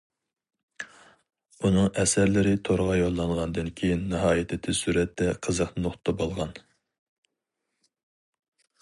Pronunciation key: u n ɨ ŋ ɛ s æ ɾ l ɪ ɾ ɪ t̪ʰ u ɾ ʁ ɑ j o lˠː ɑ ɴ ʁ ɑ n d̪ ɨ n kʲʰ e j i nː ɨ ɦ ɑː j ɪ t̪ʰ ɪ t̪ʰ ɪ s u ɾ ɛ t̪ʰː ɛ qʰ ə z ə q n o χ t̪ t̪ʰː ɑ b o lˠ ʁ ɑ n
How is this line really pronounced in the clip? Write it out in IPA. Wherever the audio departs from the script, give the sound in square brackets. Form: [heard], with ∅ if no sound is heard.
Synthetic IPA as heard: u n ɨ ŋ ɛ s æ ɾ l ɪ ɾ ɪ t̪ʰ [o] ɾ ʁ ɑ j o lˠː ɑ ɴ ʁ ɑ n d̪ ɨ n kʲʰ e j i nː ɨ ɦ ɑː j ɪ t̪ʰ ɪ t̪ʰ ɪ s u ɾ ɛ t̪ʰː ɛ qʰ ə z ə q n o χ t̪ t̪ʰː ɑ b o lˠ ʁ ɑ n